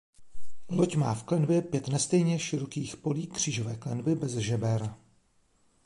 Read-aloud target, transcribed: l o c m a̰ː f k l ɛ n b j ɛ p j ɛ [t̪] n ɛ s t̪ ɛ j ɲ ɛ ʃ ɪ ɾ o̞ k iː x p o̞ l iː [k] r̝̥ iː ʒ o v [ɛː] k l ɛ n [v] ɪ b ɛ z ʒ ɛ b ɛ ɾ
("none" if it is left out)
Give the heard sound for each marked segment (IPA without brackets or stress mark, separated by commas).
t̪, k, ɛː, b